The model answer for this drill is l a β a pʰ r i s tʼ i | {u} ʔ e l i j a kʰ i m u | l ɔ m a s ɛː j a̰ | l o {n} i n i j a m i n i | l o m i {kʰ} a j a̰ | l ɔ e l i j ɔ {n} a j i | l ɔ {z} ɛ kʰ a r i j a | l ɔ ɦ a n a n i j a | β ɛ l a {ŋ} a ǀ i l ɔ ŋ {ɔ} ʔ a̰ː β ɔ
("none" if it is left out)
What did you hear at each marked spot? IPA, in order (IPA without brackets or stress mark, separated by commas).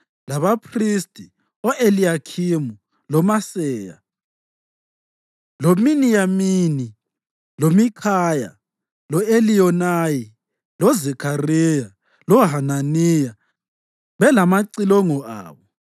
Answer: ɔ, m, kʰ, n, z, m, ɔ